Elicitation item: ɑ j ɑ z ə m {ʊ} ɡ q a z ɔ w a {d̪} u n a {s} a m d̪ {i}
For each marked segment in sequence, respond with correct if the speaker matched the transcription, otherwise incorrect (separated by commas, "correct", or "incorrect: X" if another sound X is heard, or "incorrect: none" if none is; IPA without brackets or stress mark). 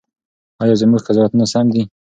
incorrect: u, incorrect: t̪, correct, correct